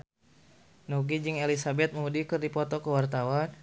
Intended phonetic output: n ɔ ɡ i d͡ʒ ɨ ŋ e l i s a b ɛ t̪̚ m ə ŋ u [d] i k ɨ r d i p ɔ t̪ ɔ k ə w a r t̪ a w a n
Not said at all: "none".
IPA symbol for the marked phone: d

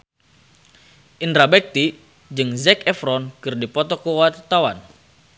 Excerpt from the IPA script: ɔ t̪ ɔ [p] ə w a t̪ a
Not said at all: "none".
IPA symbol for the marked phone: k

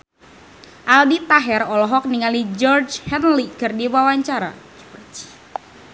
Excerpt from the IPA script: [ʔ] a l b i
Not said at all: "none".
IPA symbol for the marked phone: ʔ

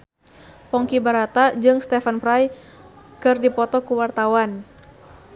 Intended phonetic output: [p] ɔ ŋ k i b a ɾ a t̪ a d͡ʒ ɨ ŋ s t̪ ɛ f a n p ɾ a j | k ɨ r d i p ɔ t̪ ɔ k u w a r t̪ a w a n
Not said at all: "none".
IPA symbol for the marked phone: p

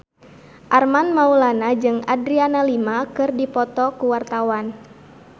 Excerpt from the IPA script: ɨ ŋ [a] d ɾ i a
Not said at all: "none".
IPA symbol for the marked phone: a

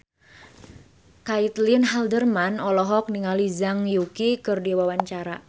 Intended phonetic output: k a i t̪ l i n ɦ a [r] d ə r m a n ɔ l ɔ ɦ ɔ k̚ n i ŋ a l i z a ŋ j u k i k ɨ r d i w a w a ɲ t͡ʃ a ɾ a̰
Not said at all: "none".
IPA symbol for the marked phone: l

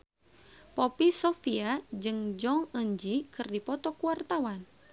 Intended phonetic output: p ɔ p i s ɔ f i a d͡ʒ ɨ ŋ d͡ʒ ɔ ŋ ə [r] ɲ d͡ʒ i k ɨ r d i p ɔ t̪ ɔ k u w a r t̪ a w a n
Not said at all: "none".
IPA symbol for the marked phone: none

